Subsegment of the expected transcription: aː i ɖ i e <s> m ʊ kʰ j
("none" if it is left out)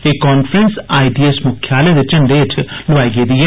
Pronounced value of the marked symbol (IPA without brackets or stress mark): s